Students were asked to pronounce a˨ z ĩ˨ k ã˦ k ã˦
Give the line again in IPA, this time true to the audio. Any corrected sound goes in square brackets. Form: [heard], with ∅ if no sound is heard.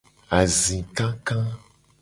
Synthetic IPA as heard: a˨ z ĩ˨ k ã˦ k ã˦